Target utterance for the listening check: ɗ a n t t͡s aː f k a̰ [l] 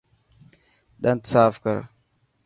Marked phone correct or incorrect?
incorrect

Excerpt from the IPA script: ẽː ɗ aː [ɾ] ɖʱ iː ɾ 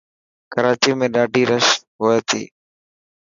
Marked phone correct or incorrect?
incorrect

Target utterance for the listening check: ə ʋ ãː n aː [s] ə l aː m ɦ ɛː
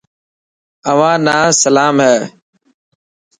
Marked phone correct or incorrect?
correct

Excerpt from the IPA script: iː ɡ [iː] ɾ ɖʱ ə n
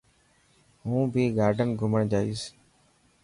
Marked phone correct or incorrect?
incorrect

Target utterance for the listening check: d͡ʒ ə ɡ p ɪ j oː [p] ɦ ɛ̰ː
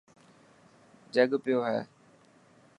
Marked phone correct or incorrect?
incorrect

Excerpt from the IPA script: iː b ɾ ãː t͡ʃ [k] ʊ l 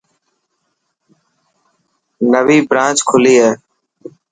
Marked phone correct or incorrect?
incorrect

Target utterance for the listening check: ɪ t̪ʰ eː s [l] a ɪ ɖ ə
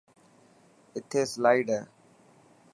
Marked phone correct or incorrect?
correct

